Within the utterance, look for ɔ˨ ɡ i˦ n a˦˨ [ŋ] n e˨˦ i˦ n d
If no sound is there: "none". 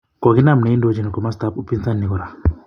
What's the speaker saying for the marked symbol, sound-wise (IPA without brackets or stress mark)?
m